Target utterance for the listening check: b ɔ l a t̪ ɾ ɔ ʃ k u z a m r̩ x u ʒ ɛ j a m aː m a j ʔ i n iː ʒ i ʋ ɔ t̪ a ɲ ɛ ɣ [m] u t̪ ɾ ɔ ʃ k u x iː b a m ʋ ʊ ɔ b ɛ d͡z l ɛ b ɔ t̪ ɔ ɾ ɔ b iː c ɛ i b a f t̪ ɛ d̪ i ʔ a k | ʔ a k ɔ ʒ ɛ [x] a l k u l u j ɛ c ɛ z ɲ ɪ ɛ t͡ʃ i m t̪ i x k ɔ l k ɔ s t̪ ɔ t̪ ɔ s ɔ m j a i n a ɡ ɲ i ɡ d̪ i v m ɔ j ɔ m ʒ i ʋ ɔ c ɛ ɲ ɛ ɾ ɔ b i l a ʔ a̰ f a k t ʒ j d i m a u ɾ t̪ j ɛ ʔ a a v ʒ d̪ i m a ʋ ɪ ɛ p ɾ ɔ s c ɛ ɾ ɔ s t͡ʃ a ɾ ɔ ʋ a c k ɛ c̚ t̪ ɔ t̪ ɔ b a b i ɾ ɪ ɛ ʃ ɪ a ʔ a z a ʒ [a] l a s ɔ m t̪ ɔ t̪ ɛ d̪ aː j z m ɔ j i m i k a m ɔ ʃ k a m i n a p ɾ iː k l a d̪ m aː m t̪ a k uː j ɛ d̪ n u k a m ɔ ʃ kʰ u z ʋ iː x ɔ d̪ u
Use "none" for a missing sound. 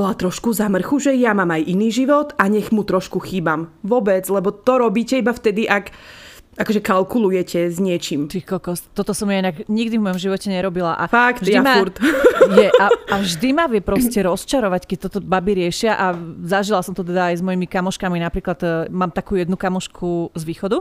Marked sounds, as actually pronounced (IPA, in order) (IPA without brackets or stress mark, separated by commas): m, k, i